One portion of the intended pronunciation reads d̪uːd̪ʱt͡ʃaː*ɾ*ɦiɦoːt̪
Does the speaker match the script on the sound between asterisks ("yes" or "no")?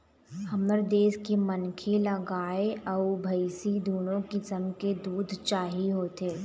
no